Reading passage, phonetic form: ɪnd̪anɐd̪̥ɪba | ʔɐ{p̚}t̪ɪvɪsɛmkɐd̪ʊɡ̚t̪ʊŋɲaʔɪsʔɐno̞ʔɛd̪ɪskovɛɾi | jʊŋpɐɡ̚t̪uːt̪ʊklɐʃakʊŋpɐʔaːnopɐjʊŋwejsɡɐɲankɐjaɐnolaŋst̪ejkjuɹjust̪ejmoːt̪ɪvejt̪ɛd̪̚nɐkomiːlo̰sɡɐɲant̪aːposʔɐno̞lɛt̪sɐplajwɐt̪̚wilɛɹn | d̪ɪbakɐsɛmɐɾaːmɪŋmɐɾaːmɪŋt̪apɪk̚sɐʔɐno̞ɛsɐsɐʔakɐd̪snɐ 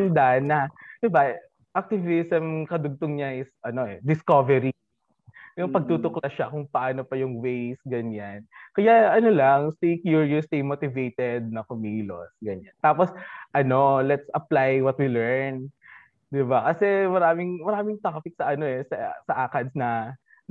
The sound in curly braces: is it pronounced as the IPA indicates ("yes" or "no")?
no